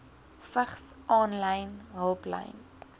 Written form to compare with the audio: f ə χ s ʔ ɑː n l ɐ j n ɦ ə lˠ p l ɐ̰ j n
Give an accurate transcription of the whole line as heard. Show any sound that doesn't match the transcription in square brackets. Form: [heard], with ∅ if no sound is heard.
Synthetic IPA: f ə χ s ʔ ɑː n l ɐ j n ɦ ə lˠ p l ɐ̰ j n